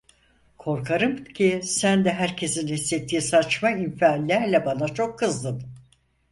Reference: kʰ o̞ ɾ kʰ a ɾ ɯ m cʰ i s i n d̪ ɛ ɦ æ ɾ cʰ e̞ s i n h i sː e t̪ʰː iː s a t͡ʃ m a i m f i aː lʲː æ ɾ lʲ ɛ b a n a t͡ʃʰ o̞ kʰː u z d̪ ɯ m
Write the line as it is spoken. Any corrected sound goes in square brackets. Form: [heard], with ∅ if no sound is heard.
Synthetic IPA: kʰ o̞ ɾ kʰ a ɾ ɯ m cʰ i s [æ] n d̪ ɛ ɦ æ ɾ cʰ e̞ s i n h i sː e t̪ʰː iː s a t͡ʃ m a i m f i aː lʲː æ ɾ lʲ ɛ b a n a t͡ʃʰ o̞ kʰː [ɯ] z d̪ ɯ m